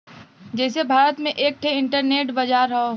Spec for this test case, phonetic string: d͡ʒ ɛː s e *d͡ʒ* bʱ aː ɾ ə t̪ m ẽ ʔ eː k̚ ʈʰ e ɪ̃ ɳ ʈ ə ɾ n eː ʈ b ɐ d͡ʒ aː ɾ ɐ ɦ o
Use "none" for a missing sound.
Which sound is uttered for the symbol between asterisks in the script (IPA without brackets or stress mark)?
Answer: none